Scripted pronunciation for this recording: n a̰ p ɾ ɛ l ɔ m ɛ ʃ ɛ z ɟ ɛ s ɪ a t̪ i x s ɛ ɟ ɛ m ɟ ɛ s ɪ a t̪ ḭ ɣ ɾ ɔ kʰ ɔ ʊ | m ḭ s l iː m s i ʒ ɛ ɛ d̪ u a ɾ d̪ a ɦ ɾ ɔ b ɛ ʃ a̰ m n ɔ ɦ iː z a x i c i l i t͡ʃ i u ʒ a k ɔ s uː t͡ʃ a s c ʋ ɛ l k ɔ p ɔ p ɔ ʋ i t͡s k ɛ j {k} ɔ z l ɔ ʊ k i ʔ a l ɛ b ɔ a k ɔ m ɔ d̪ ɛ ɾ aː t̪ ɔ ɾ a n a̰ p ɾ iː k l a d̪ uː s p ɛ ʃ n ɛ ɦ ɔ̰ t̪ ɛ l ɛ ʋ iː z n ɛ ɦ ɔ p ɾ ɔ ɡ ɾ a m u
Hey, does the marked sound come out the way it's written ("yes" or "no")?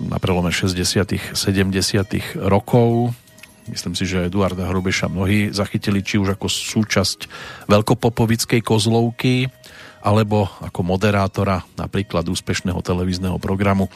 yes